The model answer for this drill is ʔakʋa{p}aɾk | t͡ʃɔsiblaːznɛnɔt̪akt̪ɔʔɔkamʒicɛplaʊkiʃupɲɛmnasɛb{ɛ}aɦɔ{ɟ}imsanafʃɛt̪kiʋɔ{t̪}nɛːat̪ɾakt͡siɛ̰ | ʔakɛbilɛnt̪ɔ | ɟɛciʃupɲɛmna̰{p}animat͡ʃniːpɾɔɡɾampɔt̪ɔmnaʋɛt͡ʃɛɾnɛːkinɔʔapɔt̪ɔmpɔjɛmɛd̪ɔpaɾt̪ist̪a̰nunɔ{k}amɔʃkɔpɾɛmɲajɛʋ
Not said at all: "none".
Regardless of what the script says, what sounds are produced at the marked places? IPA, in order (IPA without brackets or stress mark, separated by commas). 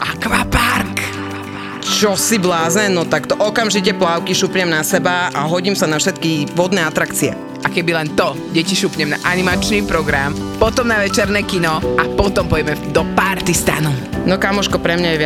p, a, ɟ, d̪, ʔ, k